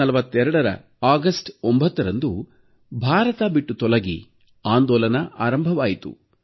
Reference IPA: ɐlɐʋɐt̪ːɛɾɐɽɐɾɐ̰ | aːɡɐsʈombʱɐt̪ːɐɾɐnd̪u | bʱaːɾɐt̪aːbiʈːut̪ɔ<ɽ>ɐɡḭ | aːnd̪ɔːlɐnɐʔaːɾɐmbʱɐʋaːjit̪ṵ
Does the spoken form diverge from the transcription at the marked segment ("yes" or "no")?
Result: yes